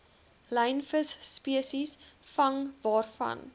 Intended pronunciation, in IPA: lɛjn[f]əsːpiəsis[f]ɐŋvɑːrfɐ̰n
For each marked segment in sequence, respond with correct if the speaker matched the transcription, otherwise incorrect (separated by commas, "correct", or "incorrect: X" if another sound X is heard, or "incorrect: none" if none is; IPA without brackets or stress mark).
correct, correct